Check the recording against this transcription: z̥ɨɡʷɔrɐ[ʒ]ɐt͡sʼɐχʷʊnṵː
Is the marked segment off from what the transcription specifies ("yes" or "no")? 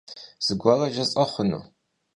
no